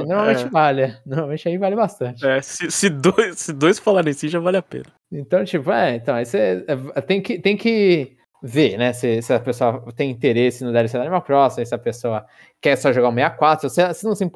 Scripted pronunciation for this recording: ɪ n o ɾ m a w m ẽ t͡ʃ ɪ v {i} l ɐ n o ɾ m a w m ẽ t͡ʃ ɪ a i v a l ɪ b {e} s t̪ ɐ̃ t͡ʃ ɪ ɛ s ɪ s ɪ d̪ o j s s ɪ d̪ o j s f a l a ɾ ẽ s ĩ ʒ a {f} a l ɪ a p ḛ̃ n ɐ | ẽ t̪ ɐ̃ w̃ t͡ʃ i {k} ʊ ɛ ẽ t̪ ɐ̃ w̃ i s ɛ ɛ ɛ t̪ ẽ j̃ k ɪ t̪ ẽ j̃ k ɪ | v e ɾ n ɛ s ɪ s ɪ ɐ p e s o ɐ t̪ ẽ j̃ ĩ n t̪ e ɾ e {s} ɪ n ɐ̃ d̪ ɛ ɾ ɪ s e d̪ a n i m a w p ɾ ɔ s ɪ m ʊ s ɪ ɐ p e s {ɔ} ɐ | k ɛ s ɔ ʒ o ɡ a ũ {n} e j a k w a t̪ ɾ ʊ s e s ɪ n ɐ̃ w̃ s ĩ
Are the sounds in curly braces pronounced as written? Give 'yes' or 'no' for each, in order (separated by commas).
no, no, no, no, yes, no, no